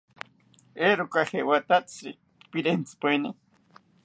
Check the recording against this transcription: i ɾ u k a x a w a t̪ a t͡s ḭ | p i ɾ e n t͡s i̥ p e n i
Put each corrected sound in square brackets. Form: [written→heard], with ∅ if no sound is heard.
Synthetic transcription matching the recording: [i→e] ɾ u k a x [a→e] w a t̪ a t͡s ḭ | p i ɾ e n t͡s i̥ p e n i